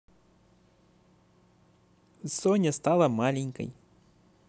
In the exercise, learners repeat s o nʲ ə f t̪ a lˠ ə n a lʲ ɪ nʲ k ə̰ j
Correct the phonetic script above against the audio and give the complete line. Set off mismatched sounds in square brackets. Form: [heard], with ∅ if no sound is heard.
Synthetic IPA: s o nʲ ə [s] t̪ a lˠ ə [m] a lʲ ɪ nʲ k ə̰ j